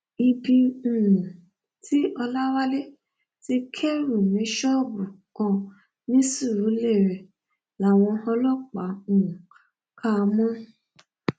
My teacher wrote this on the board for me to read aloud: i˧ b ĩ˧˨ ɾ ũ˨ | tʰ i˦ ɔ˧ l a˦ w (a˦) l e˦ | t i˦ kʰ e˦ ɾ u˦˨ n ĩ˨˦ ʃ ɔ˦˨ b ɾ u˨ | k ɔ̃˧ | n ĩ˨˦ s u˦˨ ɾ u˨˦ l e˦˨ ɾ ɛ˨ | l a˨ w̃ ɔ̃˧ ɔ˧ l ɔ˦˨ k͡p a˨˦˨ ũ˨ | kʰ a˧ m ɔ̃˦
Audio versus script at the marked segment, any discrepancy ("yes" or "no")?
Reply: no